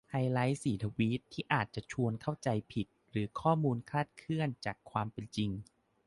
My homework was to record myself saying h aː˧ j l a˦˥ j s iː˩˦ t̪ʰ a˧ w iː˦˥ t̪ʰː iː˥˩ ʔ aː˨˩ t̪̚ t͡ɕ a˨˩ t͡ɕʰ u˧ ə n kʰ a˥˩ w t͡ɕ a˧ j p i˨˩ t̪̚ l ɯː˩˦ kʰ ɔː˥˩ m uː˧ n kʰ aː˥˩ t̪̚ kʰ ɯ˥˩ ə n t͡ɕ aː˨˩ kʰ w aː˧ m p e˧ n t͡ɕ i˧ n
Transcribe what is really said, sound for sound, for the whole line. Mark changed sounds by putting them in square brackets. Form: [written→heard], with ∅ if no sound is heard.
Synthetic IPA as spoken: h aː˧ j l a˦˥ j s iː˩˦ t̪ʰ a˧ w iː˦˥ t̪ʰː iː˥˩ ʔ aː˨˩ t̪̚ t͡ɕ a˨˩ t͡ɕʰ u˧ ə n kʰ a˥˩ w t͡ɕ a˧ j [p→pʰ] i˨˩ t̪̚ [l→ɾ] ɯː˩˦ kʰ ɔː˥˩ m uː˧ n kʰ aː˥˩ t̪̚ kʰ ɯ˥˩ ə n t͡ɕ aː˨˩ kʰ w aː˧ m p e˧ n t͡ɕ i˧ [n→ŋ]